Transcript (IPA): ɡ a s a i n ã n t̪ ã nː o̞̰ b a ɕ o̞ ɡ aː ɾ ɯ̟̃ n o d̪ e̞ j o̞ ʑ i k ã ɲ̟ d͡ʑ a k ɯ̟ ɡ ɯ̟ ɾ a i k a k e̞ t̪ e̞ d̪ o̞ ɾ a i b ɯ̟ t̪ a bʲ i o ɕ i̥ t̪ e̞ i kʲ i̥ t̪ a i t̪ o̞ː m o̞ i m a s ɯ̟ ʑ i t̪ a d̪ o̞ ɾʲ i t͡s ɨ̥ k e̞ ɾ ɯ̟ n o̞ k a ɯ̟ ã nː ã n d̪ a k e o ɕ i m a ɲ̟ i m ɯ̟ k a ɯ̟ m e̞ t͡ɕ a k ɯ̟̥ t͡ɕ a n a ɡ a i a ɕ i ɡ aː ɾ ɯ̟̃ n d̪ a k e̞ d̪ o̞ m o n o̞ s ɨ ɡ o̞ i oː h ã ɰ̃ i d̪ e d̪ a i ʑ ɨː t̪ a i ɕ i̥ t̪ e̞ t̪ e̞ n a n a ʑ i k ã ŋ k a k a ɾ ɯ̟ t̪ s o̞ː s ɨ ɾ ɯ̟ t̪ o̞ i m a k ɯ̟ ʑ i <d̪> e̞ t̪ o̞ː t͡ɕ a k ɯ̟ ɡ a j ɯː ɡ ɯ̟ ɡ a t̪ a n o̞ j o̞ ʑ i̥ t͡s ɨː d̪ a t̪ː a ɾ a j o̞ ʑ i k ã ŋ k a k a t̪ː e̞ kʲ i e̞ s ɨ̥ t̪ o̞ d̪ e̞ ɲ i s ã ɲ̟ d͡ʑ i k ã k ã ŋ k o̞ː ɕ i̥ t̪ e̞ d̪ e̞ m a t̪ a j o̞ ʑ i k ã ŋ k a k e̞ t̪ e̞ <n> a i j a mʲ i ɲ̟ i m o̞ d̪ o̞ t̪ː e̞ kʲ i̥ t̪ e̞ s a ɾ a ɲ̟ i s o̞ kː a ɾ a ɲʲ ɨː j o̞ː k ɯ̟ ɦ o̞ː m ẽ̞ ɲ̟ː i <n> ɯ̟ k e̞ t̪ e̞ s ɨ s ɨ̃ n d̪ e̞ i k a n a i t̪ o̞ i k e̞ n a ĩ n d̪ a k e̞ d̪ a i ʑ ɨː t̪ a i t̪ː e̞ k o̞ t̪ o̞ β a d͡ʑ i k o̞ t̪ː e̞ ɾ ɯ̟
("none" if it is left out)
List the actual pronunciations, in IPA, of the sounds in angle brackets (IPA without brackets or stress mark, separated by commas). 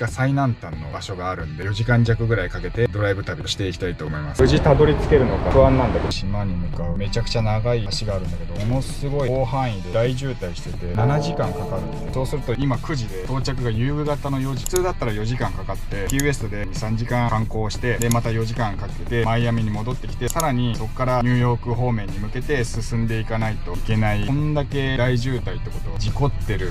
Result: d̪, m, m